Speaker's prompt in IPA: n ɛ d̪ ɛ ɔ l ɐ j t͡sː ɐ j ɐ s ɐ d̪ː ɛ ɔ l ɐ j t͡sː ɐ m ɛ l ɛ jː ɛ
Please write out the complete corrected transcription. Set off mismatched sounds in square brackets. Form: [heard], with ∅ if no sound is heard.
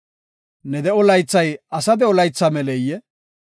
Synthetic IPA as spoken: n ɛ d̪ ɛ ɔ l ɐ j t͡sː ɐ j ɐ s ɐ [d̪] ɛ ɔ l ɐ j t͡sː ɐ m ɛ l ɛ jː ɛ

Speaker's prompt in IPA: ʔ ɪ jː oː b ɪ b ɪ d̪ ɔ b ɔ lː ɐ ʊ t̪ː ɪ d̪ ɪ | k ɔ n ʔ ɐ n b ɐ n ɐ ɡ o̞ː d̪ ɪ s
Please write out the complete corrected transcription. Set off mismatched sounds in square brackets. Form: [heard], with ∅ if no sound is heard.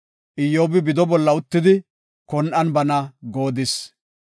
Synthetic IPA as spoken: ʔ ɪ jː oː b ɪ b ɪ d̪ ɔ b ɔ lː ɐ ʊ t̪ː ɪ d̪ ɪ | k ɔ n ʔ ɐ n b ɐ n ɐ ɡ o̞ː d̪ ɪ s

